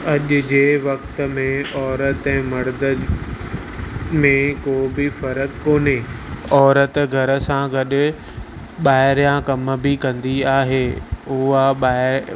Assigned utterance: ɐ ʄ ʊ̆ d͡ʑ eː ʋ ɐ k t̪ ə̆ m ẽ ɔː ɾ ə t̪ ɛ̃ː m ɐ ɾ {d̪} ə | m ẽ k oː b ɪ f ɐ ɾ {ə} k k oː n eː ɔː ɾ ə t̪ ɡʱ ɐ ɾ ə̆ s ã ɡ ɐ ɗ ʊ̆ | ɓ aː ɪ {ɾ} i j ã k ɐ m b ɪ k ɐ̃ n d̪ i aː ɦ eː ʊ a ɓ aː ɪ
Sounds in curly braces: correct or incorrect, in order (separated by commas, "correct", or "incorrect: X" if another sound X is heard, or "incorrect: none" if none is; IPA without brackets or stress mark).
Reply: correct, correct, correct